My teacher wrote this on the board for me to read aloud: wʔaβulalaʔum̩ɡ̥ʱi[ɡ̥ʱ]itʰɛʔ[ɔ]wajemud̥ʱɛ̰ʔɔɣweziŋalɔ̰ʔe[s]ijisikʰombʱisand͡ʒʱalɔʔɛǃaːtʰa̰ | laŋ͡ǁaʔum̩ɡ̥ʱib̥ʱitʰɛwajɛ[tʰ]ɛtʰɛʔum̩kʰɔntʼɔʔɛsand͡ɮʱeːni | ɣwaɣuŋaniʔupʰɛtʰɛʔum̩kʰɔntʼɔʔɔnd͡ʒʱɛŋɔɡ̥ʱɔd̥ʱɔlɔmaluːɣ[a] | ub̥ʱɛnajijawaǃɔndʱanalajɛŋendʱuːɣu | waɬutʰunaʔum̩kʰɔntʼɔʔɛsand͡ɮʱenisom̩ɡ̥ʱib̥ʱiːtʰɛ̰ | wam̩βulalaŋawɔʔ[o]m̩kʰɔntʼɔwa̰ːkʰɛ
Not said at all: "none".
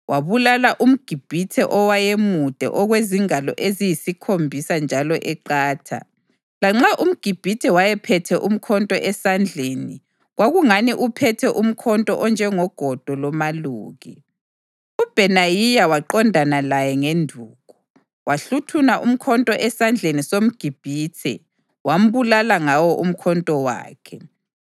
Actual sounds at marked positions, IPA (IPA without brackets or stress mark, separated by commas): b̥ʱ, ɔ, z, pʰ, i, u